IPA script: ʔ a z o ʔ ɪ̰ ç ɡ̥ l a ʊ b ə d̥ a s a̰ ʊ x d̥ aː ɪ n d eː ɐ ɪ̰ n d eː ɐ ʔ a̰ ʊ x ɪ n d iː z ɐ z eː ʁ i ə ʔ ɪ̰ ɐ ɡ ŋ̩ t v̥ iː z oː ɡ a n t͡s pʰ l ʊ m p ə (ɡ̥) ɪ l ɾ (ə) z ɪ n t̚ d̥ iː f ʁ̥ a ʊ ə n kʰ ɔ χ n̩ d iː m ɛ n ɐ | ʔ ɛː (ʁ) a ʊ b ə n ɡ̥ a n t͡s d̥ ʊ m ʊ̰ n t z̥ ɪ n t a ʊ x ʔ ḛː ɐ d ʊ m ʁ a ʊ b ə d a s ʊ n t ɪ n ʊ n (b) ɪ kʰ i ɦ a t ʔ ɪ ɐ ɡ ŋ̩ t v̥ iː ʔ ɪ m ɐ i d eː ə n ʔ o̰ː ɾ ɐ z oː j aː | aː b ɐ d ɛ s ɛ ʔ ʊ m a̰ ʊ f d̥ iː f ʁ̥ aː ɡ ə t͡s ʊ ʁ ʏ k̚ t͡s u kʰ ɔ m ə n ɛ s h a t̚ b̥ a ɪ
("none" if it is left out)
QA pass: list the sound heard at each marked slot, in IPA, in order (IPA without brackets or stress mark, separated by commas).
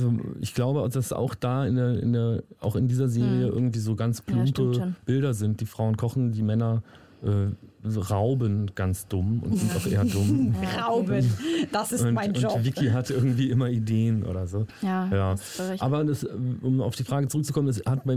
b̥, ɐ, ʁ, v